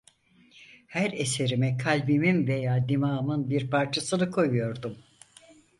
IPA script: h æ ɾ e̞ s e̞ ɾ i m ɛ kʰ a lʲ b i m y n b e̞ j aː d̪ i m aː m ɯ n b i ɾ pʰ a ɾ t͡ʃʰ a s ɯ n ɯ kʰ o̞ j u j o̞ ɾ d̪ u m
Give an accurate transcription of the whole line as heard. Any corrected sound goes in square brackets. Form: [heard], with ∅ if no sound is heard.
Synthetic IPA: h æ ɾ e̞ s e̞ ɾ i m ɛ kʰ a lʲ b i m [i] n [v] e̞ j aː d̪ i m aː m ɯ n b i ɾ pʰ a ɾ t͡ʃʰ a s ɯ n ɯ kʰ o̞ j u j o̞ ɾ d̪ u m